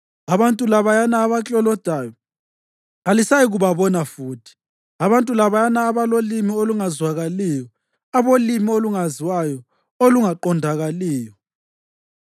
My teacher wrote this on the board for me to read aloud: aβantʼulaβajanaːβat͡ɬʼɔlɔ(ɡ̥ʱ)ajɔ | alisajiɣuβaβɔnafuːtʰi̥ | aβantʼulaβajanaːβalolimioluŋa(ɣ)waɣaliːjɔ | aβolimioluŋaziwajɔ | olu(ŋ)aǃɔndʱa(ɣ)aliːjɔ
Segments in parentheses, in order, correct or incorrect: incorrect: d̥ʱ, incorrect: z, correct, correct

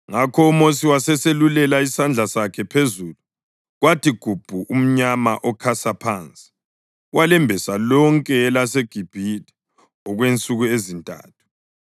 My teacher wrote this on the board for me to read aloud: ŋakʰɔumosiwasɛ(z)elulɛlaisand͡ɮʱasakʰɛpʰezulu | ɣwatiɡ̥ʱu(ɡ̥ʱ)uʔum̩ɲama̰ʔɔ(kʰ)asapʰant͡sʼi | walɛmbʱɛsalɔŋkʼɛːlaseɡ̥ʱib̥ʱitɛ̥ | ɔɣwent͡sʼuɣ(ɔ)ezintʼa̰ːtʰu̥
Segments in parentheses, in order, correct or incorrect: incorrect: s, incorrect: b̥ʱ, correct, incorrect: u

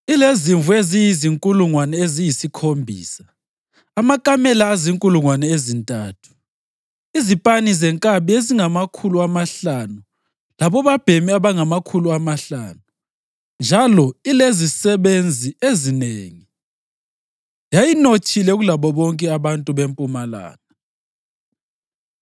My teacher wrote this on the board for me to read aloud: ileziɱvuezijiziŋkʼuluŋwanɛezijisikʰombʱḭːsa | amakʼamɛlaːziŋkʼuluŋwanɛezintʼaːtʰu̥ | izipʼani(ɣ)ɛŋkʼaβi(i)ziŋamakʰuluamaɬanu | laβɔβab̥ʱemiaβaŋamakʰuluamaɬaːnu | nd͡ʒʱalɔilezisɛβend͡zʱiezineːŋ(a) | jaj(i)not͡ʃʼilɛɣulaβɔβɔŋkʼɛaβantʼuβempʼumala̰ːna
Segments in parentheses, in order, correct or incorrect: incorrect: z, incorrect: e, incorrect: i, correct

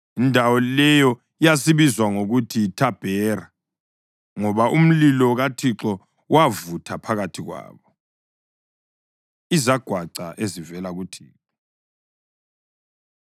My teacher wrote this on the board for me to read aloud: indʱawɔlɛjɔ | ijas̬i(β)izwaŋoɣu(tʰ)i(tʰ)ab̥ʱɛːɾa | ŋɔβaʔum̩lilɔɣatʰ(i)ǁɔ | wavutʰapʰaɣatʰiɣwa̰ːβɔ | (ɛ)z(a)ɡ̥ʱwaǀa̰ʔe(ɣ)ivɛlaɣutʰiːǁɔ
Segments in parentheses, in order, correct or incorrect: correct, correct, correct, correct, incorrect: i, correct, incorrect: z

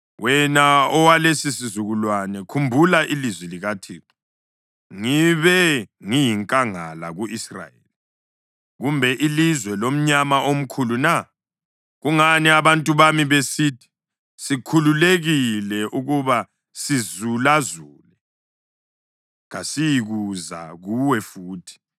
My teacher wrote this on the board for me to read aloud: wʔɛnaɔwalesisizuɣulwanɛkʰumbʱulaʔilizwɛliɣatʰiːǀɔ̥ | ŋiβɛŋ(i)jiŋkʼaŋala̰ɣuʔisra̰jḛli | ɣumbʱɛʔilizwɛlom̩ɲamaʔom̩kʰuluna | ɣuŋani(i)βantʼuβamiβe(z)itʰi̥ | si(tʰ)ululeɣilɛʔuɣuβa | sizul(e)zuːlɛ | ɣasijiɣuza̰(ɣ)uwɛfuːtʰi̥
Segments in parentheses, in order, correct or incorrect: correct, incorrect: a, incorrect: s, incorrect: kʰ, incorrect: a, correct

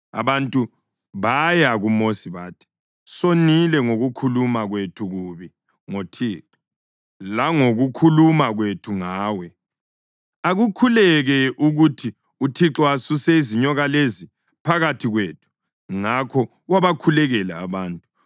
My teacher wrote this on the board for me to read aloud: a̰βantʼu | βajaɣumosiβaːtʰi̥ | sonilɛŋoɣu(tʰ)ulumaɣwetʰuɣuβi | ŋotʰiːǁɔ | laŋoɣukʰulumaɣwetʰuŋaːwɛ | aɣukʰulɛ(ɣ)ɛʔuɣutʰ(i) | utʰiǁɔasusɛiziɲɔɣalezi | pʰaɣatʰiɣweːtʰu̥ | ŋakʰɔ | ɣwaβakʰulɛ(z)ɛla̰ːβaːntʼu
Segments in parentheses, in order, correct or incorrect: incorrect: kʰ, correct, correct, incorrect: ɣ

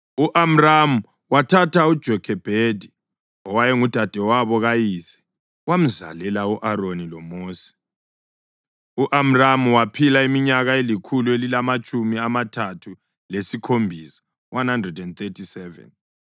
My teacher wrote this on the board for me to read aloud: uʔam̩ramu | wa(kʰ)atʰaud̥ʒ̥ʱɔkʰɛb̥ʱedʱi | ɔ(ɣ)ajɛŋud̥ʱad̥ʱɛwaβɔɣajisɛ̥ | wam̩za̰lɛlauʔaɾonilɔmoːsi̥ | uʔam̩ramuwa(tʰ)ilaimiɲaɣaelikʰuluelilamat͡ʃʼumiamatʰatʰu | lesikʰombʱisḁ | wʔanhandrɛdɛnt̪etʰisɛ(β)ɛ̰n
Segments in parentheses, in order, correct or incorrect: incorrect: tʰ, incorrect: w, incorrect: pʰ, incorrect: v

